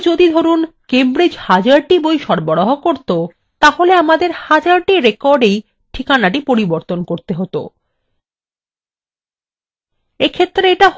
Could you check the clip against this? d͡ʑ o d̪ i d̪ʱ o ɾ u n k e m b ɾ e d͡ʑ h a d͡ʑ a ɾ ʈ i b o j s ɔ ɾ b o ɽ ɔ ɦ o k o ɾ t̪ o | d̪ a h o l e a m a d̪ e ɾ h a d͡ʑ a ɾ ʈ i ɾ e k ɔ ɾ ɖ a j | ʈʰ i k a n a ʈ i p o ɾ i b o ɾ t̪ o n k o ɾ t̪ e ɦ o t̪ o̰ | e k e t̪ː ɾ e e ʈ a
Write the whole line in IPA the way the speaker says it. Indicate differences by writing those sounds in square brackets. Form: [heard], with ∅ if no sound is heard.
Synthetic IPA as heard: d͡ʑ o d̪ i d̪ʱ o ɾ u n k e m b ɾ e d͡ʑ h a d͡ʑ a ɾ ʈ i b o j [ʃ] ɔ ɾ b o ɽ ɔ ɦ o k o ɾ t̪ o | [t̪] a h o l e a m a d̪ e ɾ h a d͡ʑ a ɾ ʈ i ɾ e k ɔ ɾ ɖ [e] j | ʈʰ i k a n a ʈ i p o ɾ i b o ɾ t̪ o n k o ɾ t̪ e ɦ o t̪ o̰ | e [kʰ] e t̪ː ɾ e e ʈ a